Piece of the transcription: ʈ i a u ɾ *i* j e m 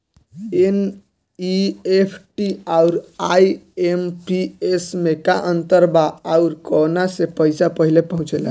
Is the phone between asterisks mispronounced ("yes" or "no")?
yes